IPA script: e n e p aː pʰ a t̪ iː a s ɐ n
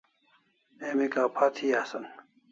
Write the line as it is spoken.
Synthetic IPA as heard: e m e k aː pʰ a t̪ʰ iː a s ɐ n

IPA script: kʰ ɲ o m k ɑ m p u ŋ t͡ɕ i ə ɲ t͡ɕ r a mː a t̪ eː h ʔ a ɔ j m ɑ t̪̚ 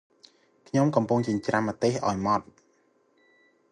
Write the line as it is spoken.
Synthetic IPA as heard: kʰ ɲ o m k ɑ m p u ŋ t͡ɕ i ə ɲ t͡ɕ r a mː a t̪ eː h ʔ a ɔ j m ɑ t̪̚

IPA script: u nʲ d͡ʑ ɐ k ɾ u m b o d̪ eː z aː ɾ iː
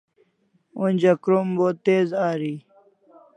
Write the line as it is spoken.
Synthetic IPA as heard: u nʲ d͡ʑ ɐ k ɾ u m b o t̪ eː z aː ɾ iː

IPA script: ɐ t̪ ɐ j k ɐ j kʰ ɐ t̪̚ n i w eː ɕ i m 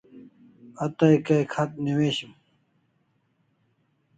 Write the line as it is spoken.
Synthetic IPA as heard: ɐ t̪ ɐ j k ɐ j kʰ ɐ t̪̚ n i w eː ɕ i m

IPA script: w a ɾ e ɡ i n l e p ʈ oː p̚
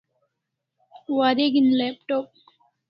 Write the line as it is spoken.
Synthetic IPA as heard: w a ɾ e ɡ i n l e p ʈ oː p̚

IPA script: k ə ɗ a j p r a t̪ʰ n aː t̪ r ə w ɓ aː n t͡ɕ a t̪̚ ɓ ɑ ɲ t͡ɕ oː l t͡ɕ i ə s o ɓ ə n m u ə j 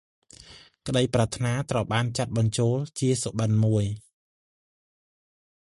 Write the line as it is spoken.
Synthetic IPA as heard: k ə ɗ ə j p r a t̪ʰ n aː t̪ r ə w ɓ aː n t͡ɕ a t̪̚ ɓ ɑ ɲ t͡ɕ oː l t͡ɕ i ə s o ɓ ə n m u ə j

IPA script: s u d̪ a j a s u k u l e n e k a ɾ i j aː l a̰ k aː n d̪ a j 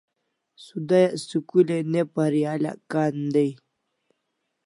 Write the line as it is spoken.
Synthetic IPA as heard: s u d̪ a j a s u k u l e n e p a ɾ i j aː l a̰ k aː n d̪ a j

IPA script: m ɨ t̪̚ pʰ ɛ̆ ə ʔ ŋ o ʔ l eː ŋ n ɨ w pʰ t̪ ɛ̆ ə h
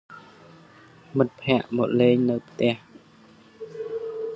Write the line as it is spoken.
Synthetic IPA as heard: m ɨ t̪̚ pʰ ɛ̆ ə ʔ m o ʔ l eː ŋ n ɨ w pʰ t̪ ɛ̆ ə h

